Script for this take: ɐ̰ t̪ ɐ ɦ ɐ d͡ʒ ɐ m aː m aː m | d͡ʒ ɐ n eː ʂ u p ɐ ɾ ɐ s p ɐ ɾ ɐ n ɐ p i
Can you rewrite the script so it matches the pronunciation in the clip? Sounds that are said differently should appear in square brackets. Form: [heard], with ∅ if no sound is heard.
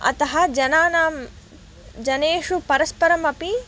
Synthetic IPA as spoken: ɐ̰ t̪ ɐ ɦ ɐ d͡ʒ ɐ [n] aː [n] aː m | d͡ʒ ɐ n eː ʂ u p ɐ ɾ ɐ s p ɐ ɾ ɐ [m] ɐ p i